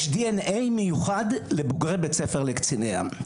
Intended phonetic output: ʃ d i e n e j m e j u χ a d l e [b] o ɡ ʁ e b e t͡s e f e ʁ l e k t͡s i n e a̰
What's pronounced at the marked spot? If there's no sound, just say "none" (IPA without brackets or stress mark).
b